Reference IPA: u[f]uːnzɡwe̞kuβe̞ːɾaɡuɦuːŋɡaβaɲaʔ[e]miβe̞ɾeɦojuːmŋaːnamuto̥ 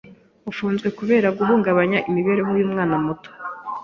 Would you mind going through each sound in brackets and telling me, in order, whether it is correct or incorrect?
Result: correct, incorrect: i

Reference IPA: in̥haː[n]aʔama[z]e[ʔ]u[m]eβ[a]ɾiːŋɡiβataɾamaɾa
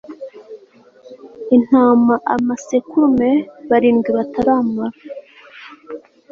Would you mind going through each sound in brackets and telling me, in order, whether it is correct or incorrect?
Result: incorrect: m, incorrect: s, incorrect: k, correct, correct

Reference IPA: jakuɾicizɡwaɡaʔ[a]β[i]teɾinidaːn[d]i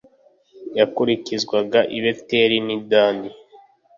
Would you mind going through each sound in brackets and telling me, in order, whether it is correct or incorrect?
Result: incorrect: i, incorrect: e, correct

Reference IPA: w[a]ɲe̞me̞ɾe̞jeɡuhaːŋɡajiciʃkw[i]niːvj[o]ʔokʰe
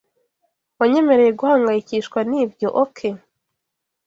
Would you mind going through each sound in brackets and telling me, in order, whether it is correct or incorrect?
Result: correct, incorrect: a, correct

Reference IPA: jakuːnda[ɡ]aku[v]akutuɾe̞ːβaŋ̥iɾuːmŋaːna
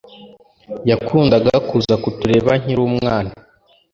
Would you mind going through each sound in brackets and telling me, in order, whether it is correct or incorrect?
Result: correct, incorrect: z

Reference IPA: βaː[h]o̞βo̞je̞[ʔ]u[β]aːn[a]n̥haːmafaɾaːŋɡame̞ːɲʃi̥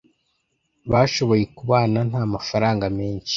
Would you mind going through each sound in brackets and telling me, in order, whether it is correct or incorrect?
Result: incorrect: ʃ, incorrect: k, correct, correct

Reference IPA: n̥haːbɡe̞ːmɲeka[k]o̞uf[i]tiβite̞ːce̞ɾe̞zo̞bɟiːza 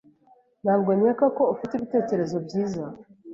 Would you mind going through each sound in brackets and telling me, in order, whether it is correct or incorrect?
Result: correct, correct

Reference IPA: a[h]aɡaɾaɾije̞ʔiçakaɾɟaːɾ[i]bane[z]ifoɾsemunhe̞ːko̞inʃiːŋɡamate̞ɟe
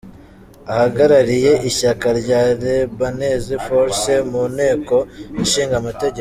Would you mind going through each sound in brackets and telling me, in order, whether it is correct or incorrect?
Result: correct, incorrect: e, correct

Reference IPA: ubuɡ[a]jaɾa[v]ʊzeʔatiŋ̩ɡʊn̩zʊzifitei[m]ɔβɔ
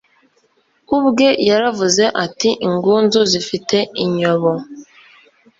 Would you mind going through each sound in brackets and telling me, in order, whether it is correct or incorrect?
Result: incorrect: e, correct, incorrect: ɲ

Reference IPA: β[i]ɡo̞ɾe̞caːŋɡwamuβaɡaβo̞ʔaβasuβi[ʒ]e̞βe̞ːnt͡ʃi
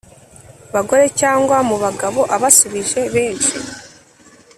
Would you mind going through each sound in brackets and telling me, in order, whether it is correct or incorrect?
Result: incorrect: a, correct

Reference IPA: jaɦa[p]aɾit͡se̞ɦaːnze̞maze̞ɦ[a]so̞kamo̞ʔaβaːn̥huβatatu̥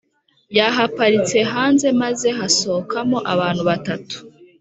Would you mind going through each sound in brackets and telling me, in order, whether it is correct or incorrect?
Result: correct, correct

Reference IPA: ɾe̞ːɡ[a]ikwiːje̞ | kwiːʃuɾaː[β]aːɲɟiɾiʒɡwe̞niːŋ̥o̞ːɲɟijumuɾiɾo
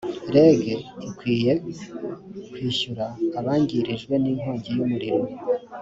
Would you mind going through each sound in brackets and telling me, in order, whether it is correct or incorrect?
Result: incorrect: e, correct

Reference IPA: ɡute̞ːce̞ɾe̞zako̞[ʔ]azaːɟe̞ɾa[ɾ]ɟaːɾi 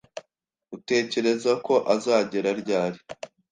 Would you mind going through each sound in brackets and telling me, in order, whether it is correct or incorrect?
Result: correct, correct

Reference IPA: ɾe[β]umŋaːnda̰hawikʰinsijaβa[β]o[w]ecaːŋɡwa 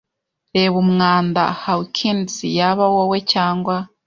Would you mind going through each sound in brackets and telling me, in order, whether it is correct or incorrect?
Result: correct, incorrect: w, correct

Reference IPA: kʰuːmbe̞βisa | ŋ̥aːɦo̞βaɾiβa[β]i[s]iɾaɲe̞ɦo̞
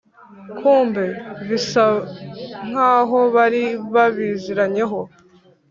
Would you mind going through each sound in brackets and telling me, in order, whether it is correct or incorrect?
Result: correct, incorrect: z

